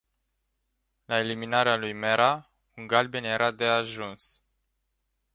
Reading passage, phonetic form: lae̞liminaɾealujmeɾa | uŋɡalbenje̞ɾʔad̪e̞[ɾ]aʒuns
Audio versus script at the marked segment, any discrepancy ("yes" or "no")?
yes